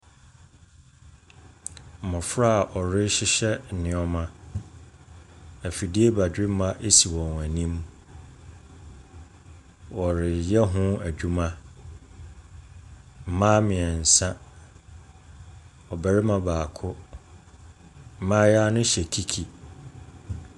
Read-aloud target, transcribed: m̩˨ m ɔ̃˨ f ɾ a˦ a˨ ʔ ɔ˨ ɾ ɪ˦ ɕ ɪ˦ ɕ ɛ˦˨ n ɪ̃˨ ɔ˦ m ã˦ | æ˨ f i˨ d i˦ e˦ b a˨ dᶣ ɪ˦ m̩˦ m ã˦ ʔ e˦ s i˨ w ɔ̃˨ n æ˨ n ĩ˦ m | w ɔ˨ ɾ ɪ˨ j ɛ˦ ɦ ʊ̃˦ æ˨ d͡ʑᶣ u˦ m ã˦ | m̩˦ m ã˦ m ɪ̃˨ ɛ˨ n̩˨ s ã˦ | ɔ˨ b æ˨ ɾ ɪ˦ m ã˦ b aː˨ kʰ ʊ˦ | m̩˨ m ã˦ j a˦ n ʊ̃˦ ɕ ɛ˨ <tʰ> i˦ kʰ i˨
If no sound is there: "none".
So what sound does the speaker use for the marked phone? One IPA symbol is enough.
kʰ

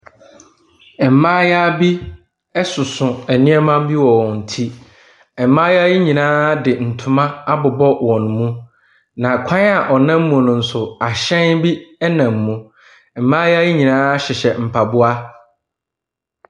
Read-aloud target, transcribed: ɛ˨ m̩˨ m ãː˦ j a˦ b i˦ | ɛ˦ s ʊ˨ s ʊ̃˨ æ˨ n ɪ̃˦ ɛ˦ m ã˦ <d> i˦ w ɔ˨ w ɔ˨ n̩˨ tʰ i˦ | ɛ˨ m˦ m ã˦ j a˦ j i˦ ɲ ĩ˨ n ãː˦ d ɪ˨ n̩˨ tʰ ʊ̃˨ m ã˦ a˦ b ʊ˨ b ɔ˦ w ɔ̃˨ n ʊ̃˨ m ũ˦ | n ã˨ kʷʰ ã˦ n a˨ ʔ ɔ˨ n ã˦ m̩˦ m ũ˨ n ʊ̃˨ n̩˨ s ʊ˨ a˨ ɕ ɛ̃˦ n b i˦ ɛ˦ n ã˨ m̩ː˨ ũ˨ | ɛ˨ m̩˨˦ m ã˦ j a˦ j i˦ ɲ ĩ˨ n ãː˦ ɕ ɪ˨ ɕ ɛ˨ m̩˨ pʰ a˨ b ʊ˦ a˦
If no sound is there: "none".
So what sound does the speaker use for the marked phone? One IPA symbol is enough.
b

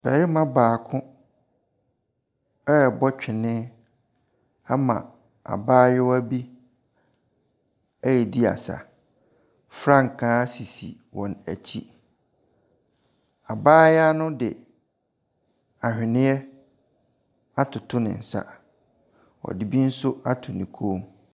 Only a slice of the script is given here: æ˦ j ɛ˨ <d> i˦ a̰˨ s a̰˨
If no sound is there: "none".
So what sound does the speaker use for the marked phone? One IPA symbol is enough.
d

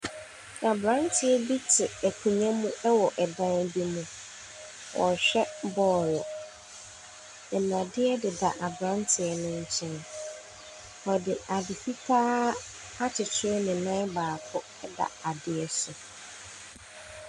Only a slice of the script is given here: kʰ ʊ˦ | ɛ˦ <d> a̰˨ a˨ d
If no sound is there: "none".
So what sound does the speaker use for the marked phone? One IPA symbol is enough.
d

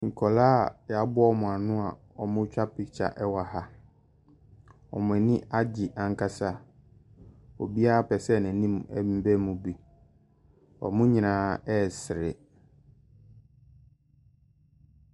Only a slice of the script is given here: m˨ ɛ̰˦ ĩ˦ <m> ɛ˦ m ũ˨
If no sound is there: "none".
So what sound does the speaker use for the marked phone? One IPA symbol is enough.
b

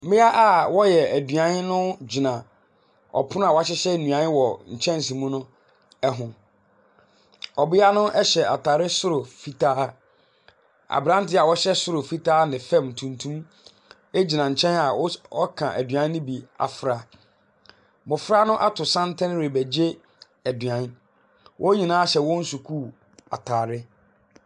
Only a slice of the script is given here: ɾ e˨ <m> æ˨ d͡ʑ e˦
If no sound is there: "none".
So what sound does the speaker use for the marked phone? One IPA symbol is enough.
b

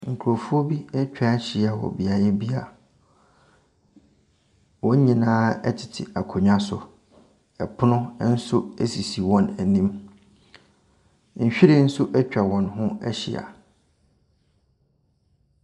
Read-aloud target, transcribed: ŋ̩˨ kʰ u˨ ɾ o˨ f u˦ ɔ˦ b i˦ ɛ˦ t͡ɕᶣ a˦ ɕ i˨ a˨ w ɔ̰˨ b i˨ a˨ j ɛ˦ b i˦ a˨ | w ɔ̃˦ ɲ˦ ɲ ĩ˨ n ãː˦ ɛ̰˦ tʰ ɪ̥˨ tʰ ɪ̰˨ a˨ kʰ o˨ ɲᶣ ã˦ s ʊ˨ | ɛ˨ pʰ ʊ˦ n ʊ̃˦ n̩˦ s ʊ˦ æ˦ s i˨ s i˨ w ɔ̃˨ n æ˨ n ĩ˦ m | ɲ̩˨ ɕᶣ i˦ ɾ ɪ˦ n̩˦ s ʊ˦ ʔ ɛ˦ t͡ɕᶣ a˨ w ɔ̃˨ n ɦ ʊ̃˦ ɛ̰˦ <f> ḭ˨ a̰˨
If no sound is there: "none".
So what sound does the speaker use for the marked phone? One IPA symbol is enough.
ɕ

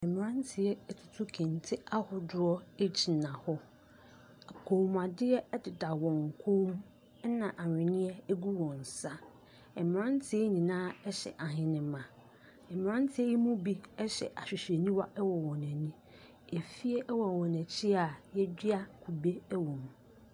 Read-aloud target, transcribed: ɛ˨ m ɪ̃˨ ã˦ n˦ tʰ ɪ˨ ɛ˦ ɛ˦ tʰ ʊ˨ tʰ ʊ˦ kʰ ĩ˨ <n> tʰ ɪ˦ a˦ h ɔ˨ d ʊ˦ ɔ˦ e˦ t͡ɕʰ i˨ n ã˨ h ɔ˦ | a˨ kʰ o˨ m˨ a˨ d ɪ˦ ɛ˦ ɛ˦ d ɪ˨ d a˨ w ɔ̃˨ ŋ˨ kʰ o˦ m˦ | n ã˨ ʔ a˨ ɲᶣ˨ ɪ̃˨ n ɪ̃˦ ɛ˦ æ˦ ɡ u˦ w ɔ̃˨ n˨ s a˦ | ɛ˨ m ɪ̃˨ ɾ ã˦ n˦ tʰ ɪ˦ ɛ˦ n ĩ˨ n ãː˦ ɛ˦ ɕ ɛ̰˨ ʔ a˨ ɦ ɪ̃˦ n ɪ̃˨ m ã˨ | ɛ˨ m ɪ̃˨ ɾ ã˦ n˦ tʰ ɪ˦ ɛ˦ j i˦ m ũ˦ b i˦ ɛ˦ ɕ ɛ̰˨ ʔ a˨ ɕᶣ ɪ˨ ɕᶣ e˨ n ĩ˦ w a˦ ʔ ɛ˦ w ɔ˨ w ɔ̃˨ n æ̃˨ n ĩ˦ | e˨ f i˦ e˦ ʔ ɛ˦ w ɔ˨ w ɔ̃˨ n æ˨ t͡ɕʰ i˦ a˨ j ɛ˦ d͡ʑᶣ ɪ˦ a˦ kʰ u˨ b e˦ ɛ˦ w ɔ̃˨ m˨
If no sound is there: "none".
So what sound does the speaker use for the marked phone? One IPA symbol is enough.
n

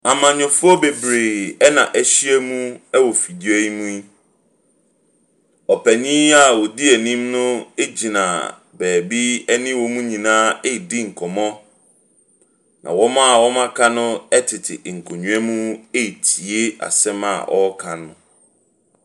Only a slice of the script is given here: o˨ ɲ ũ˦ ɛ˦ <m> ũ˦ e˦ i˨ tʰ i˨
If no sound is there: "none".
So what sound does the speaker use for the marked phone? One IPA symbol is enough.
m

